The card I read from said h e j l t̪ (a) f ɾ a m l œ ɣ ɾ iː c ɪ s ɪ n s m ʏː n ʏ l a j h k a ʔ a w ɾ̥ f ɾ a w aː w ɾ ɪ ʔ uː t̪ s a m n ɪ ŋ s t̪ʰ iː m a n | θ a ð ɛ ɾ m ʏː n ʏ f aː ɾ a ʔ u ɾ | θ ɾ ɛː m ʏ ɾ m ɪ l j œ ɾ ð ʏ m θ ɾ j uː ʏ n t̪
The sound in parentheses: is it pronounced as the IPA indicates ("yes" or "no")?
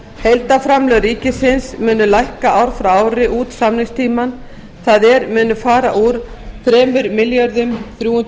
yes